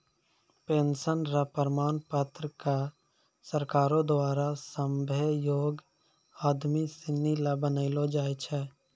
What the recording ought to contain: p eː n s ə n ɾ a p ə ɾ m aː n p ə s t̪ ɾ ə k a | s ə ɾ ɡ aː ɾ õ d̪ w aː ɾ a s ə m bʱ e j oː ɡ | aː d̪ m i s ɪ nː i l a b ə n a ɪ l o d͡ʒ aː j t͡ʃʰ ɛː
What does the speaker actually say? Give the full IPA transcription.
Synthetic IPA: p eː n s ə n ɾ a p ə ɾ m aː n p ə t̪ ɾ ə k a | s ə ɾ k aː ɾ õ d̪ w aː ɾ a s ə m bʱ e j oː ɡ | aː d̪ m i s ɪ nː i l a b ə n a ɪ l o d͡ʒ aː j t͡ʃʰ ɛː